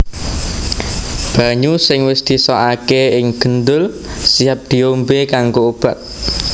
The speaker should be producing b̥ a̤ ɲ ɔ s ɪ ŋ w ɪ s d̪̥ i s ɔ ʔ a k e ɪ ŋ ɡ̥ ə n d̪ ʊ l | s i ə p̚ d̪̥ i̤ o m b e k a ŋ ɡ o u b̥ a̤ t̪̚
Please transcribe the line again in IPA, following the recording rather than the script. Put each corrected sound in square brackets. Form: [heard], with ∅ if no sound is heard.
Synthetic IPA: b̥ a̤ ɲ [u] s ɪ ŋ w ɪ s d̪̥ i s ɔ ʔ a k e ɪ ŋ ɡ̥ ə n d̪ ʊ l | s i [a] p̚ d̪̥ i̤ o m b e k a ŋ ɡ o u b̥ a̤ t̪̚

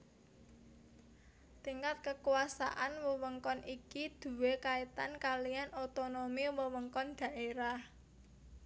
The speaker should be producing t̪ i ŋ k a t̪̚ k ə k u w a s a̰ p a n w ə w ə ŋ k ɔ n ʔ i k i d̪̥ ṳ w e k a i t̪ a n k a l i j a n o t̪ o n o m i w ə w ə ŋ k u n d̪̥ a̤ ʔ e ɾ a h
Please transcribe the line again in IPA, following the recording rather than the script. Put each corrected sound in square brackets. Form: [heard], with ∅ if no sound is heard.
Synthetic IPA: t̪ i ŋ k a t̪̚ k ə k u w a s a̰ [ʔ] a n w ə w ə ŋ k ɔ n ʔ i k i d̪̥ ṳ w e k a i t̪ a n k a l i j a n o t̪ o n o m i w ə w ə ŋ k [ɔ] n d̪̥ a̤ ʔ e ɾ a h

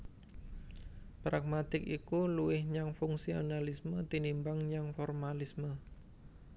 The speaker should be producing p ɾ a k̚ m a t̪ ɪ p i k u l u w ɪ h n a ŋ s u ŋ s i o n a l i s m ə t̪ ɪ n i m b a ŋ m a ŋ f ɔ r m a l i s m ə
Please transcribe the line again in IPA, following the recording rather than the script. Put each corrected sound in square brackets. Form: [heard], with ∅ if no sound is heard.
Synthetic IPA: p ɾ a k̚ m a t̪ ɪ [k] i k u l u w ɪ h [ɲ] a ŋ [f] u ŋ s i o n a l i s m ə t̪ [i] n i m b a ŋ [ɲ] a ŋ f ɔ r m a l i s m ə

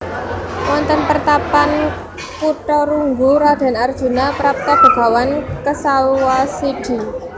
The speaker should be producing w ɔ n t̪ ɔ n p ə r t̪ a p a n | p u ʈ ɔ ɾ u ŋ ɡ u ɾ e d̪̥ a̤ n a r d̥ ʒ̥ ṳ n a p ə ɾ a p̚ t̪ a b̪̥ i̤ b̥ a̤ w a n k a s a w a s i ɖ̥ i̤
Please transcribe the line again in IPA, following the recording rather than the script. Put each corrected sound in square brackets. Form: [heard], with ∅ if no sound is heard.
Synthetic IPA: w ɔ n t̪ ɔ n p ə r t̪ a p a n | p u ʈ ɔ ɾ u ŋ ɡ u ɾ [a] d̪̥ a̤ n a r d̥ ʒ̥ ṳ n a p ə ɾ a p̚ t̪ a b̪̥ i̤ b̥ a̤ w a n k [ə] s a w a s i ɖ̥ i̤

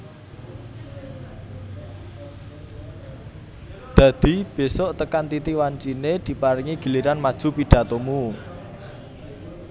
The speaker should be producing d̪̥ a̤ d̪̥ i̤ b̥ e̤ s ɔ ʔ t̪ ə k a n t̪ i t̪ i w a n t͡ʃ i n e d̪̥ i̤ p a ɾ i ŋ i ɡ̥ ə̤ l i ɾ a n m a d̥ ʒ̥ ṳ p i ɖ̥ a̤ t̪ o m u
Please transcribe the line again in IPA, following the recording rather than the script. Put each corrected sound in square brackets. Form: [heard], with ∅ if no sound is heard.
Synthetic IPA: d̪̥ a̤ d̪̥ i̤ b̥ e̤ s ɔ ʔ t̪ ə k a n t̪ i t̪ i w a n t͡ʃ i n e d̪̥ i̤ p a ɾ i ŋ i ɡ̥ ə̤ l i ɾ a n m a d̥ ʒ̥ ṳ p i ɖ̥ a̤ t̪ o m u

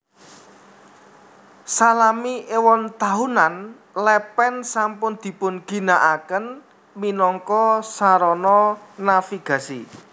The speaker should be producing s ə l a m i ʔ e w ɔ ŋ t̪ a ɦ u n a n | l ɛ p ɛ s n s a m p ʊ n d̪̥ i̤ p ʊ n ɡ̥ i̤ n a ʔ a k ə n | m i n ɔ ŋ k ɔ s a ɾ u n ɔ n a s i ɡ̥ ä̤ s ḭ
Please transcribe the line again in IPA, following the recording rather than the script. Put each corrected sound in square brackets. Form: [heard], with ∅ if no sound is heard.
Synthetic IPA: s [a] l a m i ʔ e w ɔ [n] t̪ a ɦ u n a n | l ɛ p ɛ [∅] n s a m p ʊ n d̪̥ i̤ p ʊ n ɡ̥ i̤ n a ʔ a k ə n | m i n ɔ ŋ k ɔ s a ɾ [ɔ] n ɔ n a [f] i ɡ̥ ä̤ s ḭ

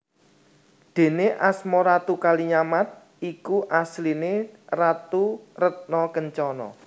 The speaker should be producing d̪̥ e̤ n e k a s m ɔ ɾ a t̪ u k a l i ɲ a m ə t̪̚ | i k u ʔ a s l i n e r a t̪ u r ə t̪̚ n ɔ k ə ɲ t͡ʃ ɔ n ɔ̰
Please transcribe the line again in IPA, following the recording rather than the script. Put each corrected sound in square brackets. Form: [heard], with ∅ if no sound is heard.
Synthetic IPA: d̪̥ e̤ n e [ʔ] a s m ɔ ɾ a t̪ u k a l i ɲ a m [a] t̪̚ | i k u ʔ a s l i n e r a t̪ u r ə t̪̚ n ɔ k ə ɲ t͡ʃ ɔ n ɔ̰

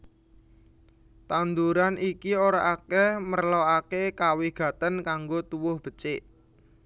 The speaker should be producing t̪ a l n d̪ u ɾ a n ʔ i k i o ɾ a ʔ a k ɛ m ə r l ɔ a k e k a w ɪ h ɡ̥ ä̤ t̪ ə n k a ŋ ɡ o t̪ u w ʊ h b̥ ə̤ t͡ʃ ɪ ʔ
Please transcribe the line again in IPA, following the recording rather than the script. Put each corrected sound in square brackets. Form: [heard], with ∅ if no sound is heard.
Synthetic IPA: t̪ a [∅] n d̪ u ɾ a n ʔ i k i o ɾ a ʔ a k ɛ m ə r l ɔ a k e k a w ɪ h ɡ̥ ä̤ t̪ ə n k a ŋ ɡ o t̪ u w ʊ h b̥ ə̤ t͡ʃ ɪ ʔ

